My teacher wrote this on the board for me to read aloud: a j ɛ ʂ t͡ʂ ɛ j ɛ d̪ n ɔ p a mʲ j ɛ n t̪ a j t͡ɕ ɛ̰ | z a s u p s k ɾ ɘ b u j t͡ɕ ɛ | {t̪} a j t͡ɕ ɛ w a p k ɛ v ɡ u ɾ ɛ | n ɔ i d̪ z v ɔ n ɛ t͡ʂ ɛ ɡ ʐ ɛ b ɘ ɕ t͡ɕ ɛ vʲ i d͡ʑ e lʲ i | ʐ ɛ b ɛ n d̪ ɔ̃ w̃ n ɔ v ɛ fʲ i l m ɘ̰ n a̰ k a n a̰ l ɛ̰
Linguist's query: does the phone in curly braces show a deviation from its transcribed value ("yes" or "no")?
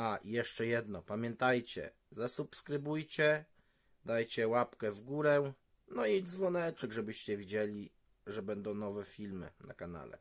yes